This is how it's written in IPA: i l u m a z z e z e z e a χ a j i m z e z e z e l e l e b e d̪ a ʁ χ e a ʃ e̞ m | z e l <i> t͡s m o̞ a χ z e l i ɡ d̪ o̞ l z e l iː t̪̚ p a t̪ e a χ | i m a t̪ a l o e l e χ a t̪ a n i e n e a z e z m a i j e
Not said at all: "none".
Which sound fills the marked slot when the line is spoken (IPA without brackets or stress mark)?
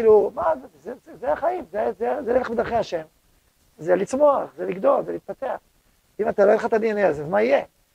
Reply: i